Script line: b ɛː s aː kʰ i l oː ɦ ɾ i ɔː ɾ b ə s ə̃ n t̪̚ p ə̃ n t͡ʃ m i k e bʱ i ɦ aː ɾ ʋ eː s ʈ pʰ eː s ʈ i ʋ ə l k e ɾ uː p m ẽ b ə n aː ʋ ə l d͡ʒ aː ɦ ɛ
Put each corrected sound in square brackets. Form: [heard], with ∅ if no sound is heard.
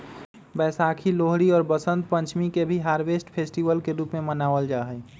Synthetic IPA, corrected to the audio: b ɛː s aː kʰ i l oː ɦ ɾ i ɔː ɾ b ə s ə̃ n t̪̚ p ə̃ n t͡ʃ m i k e bʱ i ɦ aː ɾ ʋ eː s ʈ pʰ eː s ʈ i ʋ ə l k e ɾ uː p m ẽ [m] ə n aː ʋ ə l d͡ʒ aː ɦ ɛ